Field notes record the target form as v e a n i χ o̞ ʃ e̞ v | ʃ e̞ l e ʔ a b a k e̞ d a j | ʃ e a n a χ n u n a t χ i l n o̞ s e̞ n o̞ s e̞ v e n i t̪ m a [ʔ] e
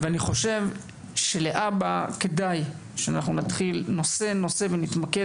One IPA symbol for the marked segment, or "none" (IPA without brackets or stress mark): k